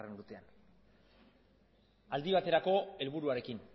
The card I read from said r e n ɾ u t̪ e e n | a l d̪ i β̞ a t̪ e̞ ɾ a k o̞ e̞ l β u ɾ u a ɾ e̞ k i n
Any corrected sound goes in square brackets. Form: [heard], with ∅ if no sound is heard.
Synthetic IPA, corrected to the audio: r e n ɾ u t̪ e [a] n | a l d̪ i β̞ a t̪ e̞ ɾ a k o̞ e̞ l β u ɾ u a ɾ e̞ k i n

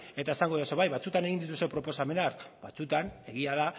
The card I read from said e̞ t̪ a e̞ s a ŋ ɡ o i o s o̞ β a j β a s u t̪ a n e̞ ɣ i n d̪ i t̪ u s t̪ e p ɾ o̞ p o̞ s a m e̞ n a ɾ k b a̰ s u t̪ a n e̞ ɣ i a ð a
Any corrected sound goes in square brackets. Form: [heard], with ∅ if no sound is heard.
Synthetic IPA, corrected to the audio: e̞ t̪ a e̞ s a ŋ ɡ o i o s o̞ β a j β a [t͡s] u t̪ a n e̞ ɣ i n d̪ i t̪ u s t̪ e p ɾ o̞ p o̞ s a m e̞ n a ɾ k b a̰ [t͡s] u t̪ a n e̞ ɣ i a ð a

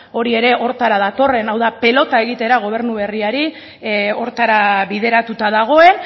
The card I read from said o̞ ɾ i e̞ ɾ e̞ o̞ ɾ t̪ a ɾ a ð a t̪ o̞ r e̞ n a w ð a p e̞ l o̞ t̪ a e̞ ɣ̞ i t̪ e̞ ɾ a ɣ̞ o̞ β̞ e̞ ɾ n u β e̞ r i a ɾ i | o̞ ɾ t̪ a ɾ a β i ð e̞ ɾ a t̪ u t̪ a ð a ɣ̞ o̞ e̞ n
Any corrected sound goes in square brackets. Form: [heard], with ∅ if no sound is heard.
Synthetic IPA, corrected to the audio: o̞ ɾ i e̞ ɾ e̞ o̞ ɾ t̪ a ɾ a ð a t̪ o̞ r e̞ n a w ð a p e̞ l o̞ t̪ a e̞ ɣ̞ i t̪ e̞ ɾ a ɣ̞ o̞ β̞ e̞ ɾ n u β e̞ r i a ɾ i | o̞ ɾ t̪ a ɾ a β i ð e̞ ɾ a t̪ u t̪ a ð a ɣ̞ o̞ e̞ n

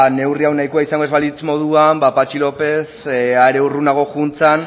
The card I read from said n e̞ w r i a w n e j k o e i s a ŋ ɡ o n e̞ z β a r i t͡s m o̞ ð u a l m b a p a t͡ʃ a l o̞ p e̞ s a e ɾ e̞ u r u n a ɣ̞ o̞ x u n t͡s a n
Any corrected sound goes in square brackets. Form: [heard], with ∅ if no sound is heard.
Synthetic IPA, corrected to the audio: n e̞ w r i a w n [a] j k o [a] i s a ŋ ɡ o [∅] e̞ z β a [l] i t͡s m o̞ ð u a [∅] m b a p a t͡ʃ [i] l o̞ p e̞ s a e ɾ e̞ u r u n a ɣ̞ o̞ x u n t͡s a n

